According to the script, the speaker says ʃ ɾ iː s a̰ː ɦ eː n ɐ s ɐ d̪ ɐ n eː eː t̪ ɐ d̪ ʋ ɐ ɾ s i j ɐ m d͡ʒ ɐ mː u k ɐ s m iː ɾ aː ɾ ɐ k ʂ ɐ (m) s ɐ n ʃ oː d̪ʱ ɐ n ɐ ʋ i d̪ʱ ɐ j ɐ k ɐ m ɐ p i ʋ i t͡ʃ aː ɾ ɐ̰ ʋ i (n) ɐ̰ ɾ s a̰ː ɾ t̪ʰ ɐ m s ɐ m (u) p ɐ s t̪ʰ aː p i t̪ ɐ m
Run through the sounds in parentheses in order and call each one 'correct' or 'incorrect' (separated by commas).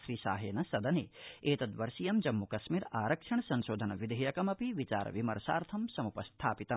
incorrect, incorrect, correct